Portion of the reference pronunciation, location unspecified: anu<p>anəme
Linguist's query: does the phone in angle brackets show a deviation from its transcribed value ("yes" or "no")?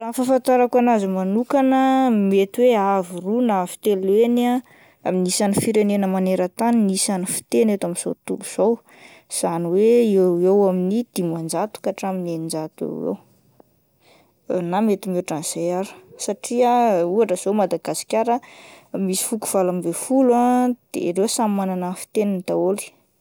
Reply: yes